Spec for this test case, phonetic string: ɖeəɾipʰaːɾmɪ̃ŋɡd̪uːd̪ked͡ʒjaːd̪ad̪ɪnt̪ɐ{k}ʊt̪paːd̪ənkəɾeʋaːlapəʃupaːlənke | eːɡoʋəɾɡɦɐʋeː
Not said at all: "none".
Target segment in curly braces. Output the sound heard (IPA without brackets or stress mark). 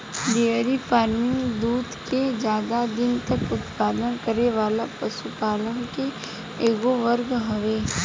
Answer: k